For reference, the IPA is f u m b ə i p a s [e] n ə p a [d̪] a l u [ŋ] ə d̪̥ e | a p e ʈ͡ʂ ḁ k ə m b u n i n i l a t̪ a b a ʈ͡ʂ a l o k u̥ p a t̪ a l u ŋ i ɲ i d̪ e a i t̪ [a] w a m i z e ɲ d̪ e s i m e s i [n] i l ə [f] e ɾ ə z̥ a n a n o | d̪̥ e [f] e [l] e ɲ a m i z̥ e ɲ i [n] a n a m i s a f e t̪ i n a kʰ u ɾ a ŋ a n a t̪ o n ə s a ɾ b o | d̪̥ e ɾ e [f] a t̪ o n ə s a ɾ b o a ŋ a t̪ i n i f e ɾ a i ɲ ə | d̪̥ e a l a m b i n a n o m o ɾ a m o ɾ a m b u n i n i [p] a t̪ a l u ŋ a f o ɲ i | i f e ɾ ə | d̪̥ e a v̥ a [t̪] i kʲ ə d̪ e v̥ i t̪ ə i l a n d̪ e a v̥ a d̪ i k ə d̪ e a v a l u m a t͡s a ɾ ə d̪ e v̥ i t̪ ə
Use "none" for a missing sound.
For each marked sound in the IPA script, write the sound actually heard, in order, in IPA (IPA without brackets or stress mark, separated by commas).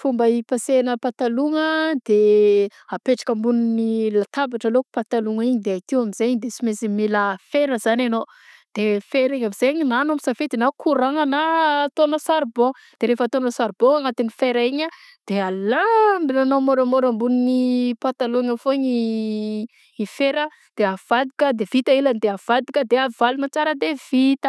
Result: e, t̪, ŋ, i, m, f, f, ɾ, n, f, p, d̪